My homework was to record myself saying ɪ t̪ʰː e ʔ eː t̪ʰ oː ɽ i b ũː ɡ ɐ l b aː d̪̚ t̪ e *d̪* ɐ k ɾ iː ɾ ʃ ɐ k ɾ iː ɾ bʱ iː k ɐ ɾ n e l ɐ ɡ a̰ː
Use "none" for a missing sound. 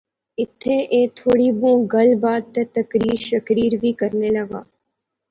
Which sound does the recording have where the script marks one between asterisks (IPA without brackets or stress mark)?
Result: t̪